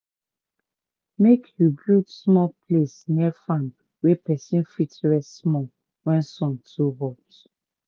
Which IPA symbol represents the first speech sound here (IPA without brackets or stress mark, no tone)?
m